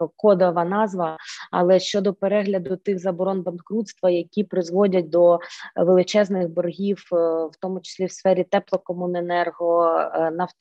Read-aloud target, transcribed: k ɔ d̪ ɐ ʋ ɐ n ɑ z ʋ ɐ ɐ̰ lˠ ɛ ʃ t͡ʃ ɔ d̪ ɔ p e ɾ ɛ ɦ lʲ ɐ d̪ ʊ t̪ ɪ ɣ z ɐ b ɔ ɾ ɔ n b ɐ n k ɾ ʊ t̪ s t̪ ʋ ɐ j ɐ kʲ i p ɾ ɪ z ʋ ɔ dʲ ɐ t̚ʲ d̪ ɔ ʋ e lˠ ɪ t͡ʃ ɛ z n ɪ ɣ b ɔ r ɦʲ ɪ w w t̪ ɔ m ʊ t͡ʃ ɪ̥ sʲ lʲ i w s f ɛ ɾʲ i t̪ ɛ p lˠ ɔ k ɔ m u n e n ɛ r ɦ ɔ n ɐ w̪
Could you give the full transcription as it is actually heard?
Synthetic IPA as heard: k ɔ d̪ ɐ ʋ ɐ n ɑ z ʋ ɐ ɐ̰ lˠ ɛ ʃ t͡ʃ ɔ d̪ ɔ p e ɾ ɛ ɦ lʲ ɐ d̪ ʊ t̪ ɪ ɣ z ɐ b ɔ ɾ ɔ n b ɐ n k ɾ u t̪ s t̪ ʋ ɐ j ɐ kʲ i p ɾ ɪ z ʋ ɔ dʲ ɐ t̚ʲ d̪ ɔ ʋ e lˠ ɪ t͡ʃ ɛ z n ɪ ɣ b ɔ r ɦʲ i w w t̪ ɔ m ʊ t͡ʃ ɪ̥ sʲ lʲ i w s f ɛ ɾʲ i t̪ ɛ p lˠ ɔ k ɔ m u n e n ɛ r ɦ ɔ n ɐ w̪